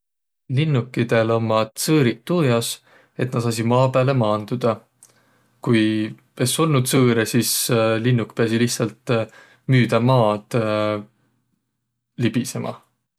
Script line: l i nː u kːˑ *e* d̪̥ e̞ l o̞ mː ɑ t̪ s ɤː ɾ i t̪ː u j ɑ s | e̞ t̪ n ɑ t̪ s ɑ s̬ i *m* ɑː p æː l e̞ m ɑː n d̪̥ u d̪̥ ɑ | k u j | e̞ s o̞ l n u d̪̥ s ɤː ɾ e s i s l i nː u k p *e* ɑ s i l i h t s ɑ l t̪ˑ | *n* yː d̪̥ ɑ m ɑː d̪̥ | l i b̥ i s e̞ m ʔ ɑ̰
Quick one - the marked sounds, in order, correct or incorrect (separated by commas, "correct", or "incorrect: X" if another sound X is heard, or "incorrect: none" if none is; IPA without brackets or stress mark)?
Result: incorrect: i, correct, correct, incorrect: m